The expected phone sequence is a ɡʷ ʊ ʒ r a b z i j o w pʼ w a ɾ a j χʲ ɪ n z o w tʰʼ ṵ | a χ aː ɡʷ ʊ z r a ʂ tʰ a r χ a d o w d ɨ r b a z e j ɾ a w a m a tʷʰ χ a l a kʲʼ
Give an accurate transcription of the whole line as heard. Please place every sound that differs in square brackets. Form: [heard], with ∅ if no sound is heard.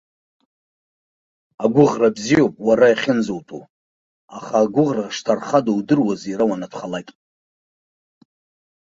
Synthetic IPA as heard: a ɡʷ ʊ [ʁ] r a b z i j o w pʼ w a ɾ a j χʲ ɪ n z o w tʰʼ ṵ | a χ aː ɡʷ ʊ [ʁ] r a ʂ tʰ a r χ a d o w d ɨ r [w] a z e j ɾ a w a [n] a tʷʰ χ a l a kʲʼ

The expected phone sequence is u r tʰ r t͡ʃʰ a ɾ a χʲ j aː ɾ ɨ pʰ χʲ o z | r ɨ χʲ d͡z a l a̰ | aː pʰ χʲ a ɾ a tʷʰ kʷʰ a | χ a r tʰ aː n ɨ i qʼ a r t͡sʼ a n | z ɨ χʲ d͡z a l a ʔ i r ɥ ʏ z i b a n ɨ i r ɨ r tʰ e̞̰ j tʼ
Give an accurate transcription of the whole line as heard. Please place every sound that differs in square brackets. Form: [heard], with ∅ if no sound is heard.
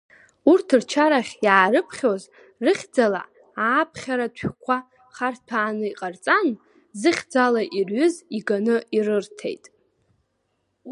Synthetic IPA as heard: u r tʰ r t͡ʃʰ a ɾ a χʲ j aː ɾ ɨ pʰ χʲ o z | r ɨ χʲ d͡z a l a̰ | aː pʰ χʲ a ɾ a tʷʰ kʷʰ a | χ a r tʰ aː n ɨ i qʼ a r t͡sʼ a n | z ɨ χʲ d͡z a l a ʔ i r ɥ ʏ z i [ɡ] a n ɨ i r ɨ r tʰ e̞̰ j tʼ

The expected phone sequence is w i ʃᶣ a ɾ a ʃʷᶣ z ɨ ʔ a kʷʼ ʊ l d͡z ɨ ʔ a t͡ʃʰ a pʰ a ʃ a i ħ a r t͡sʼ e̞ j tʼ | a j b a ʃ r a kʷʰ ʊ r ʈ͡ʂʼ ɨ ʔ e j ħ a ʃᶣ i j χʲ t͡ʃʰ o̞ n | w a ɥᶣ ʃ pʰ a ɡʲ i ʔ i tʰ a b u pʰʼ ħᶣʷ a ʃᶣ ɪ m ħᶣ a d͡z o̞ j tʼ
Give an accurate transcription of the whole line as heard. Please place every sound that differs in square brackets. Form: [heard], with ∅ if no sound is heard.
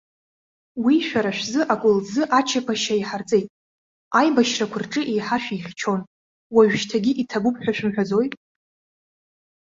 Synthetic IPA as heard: w i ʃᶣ a ɾ a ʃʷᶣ z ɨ ʔ a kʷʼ ʊ l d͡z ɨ ʔ a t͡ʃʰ a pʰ a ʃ a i ħ a r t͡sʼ e̞ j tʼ | a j b a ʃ r a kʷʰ ʊ r ʈ͡ʂʼ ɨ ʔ e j ħ a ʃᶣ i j χʲ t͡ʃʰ o̞ n | w a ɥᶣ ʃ [tʰ] a ɡʲ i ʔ i tʰ a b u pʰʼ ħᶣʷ a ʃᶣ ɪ m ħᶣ a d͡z o̞ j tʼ

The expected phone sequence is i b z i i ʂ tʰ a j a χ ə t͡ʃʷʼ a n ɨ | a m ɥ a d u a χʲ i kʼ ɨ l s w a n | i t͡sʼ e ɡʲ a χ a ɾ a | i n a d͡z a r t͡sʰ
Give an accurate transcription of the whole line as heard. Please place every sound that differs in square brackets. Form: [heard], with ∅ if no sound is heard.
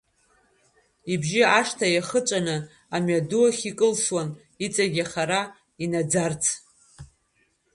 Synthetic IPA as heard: i b [ʒ] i [a] ʂ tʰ a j a χ ə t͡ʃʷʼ a n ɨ | a m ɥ a d u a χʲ i kʼ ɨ l s w a n | i t͡sʼ [a] ɡʲ a χ a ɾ a | i n a d͡z a r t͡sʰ

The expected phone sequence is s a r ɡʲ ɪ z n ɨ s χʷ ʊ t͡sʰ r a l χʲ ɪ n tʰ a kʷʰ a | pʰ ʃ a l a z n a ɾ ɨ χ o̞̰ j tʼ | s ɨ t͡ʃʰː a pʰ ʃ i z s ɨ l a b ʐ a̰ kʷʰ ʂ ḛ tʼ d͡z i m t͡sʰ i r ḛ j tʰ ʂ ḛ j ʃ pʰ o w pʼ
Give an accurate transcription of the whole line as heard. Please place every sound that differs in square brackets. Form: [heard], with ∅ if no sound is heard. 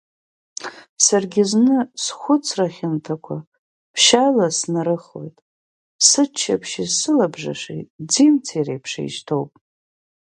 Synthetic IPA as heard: s a r ɡʲ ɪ z n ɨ s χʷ ʊ t͡sʰ r a [∅] χʲ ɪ n tʰ a kʷʰ a | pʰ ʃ a l a [s] n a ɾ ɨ χ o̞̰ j tʼ | s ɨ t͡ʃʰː a pʰ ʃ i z s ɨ l a b ʐ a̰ [∅] ʂ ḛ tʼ d͡z i m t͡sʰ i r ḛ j [pʰ] ʂ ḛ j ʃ [tʰ] o w pʼ

